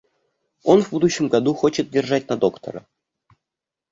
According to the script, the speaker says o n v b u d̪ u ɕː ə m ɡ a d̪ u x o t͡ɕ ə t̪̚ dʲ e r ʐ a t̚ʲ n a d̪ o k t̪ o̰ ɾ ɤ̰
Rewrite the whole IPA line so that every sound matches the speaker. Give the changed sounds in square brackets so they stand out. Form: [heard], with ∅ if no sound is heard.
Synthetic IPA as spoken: o n v b u d̪ u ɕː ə m ɡ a d̪ u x o t͡ɕ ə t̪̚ dʲ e r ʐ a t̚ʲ n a d̪ o k t̪ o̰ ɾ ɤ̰